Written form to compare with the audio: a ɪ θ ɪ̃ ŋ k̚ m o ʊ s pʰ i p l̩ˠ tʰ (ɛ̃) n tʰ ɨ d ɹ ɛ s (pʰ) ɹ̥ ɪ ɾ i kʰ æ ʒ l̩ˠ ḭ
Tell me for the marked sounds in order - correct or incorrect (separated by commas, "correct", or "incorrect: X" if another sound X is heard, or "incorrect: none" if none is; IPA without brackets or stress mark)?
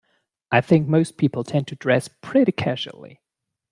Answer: correct, correct